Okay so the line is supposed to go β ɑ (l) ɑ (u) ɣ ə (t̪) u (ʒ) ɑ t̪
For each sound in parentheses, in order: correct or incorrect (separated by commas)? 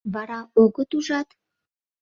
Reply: incorrect, incorrect, correct, correct